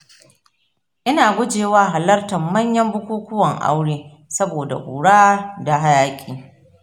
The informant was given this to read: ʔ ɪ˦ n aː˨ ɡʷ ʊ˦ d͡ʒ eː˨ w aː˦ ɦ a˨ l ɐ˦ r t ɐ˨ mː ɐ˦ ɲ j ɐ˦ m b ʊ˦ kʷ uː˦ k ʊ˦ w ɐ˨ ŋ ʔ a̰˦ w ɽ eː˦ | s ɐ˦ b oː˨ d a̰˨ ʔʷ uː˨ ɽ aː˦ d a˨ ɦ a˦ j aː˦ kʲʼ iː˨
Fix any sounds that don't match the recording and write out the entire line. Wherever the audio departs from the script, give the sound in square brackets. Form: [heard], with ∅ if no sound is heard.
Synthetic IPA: ʔ ɪ˦ n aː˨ ɡʷ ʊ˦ d͡ʒ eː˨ w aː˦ ɦ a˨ l ɐ˦ r t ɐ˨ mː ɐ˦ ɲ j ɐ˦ m b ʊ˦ kʷ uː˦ k ʊ˦ w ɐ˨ ŋ ʔ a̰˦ w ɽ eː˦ | s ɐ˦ b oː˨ d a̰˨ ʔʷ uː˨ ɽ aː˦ d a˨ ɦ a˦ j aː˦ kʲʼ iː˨